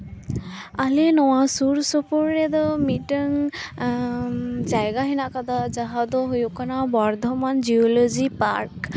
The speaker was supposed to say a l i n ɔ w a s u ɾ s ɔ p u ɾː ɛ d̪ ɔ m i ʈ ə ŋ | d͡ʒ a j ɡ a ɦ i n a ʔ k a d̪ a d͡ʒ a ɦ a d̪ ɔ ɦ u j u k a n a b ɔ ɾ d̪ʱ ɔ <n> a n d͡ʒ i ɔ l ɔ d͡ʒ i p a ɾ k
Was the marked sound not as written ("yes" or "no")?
yes